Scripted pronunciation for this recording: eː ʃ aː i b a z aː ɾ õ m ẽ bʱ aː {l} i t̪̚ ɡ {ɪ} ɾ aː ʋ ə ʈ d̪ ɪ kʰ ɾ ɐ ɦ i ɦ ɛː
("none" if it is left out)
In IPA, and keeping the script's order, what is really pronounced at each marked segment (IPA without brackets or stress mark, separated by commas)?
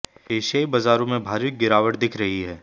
ɾ, ɪ